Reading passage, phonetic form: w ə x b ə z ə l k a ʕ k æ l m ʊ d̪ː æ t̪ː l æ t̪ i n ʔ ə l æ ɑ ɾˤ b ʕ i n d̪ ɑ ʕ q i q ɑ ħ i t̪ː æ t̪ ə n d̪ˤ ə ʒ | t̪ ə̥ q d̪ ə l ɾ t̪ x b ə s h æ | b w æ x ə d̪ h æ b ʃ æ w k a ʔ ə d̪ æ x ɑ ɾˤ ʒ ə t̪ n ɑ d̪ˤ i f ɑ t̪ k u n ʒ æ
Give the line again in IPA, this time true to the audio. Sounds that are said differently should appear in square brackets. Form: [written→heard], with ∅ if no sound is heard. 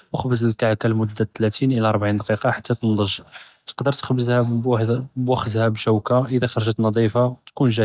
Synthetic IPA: w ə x b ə z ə l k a ʕ k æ l m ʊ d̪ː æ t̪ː l æ t̪ i n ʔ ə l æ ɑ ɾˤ b ʕ i n d̪ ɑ [ʕ→∅] q i q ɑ ħ [i→a] t̪ː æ t̪ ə n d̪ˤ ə ʒ | t̪ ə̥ q d̪ ə [l→∅] ɾ t̪ x b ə [s→z] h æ | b w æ x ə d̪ h æ b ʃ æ w k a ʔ ə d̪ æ x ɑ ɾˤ ʒ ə t̪ n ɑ d̪ˤ i f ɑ t̪ k u n ʒ æ